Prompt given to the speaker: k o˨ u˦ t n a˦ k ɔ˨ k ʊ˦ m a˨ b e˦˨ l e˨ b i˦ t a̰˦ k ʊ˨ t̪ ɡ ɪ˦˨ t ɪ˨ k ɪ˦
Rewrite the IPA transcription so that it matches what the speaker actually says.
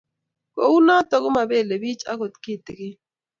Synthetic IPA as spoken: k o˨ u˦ n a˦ t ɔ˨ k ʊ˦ m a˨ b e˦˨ l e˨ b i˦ t͡ʃ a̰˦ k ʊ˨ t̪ k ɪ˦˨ t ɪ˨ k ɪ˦

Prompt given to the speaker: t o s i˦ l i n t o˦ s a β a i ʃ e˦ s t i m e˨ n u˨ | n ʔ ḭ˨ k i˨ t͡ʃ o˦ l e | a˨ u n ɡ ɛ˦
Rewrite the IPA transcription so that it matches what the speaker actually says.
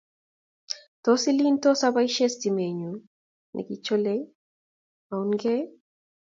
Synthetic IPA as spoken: t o s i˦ l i n t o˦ s a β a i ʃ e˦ s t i m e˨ ɲ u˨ | n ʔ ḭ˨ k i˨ t͡ʃ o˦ l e | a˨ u n ɡ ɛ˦

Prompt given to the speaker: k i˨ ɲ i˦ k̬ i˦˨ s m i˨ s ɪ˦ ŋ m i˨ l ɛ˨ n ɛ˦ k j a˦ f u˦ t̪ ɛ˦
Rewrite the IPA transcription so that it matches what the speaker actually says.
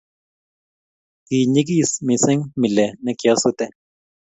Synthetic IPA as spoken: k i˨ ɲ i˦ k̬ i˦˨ s m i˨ s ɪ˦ ŋ m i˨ l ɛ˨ n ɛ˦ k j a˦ s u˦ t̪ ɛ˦

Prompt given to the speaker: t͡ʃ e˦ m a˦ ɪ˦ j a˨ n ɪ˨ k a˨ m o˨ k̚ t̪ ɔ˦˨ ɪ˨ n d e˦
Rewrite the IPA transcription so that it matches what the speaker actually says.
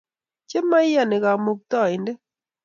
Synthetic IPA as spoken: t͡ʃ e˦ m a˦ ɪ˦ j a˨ n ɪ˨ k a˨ m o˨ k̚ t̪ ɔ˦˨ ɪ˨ n d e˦

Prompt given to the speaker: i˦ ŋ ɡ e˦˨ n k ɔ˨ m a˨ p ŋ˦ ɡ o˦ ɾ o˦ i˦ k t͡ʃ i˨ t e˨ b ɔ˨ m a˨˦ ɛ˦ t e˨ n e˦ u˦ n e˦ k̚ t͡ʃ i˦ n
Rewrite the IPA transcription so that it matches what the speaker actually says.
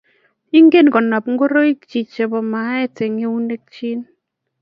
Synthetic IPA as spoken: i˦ ŋ ɡ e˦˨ n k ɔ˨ n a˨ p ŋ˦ ɡ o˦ ɾ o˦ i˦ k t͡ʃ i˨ t͡ʃ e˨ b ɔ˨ m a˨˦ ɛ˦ t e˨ ŋ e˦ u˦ n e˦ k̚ t͡ʃ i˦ n

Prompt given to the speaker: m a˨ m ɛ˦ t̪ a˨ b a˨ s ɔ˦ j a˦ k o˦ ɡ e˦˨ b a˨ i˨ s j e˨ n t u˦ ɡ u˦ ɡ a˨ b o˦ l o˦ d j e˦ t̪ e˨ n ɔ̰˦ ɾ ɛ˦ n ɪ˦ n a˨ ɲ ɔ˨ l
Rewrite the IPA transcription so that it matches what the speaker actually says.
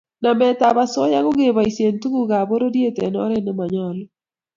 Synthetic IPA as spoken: n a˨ m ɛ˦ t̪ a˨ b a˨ s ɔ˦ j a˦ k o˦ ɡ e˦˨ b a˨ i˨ s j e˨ n t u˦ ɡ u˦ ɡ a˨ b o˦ ɾ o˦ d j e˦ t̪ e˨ n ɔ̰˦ ɾ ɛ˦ n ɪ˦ m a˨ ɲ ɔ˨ l

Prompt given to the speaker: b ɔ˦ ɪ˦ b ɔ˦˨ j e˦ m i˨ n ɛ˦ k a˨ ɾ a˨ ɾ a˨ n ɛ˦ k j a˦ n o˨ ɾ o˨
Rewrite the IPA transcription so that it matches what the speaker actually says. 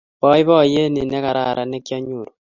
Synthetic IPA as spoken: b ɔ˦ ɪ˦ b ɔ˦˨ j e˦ n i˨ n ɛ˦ k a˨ ɾ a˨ ɾ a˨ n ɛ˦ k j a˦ ɲ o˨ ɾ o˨

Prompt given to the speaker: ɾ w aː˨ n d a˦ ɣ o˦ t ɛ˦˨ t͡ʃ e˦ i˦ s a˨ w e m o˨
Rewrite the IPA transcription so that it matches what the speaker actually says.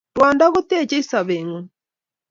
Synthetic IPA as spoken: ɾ w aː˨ n d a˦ ɣ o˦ t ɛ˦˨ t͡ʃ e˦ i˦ s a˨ β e ŋ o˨

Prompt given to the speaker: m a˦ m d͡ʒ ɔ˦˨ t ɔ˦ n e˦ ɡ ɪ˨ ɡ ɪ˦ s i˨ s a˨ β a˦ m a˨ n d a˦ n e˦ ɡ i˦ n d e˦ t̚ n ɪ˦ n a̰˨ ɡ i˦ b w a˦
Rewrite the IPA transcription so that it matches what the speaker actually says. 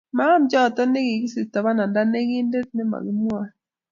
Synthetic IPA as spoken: m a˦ m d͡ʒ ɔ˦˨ t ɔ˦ n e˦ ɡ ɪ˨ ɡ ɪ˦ s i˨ t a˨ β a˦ n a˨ n d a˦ n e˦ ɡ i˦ n d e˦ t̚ n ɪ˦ m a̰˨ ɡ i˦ m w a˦

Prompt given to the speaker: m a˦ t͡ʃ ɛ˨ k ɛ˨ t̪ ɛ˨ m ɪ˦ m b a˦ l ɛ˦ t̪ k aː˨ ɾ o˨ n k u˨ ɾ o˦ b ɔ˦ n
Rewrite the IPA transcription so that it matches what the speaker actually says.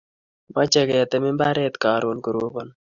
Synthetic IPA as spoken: m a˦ t͡ʃ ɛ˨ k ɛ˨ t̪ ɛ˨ m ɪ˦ m b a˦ ɾ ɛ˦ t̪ k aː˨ ɾ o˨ n k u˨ ɾ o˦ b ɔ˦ n

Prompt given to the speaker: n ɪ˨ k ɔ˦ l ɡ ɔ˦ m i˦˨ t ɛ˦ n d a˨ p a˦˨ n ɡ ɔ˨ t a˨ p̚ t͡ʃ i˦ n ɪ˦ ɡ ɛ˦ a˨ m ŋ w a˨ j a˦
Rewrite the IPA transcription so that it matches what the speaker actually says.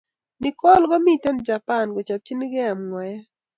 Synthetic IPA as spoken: n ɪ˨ k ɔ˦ l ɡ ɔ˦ m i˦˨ t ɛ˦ n d͡ʒ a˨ p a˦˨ n ɡ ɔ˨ t͡ʃ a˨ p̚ t͡ʃ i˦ n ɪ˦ ɡ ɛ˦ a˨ m ŋ w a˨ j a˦

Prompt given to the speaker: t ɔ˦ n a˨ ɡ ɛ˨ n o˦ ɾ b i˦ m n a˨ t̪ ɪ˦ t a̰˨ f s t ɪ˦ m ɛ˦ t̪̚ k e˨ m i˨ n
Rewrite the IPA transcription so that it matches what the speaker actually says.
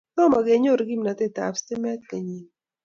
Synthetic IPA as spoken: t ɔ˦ m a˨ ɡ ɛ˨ ɲ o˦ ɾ ɡ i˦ m n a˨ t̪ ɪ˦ t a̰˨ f s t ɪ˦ m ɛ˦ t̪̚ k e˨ ɲ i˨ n

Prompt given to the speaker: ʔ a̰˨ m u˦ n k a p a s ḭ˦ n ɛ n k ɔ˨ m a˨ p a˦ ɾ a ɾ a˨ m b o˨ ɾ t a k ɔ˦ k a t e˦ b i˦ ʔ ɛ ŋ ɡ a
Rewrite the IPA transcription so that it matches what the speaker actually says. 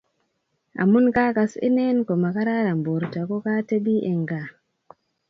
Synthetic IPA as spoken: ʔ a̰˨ m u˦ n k a k a s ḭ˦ n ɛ n k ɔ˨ m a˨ k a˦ ɾ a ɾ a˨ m b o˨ ɾ t a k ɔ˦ k a t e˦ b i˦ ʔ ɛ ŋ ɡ a

